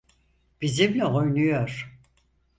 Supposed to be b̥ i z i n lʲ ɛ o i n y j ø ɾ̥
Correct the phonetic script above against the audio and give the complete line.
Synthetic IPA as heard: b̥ i z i m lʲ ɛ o j n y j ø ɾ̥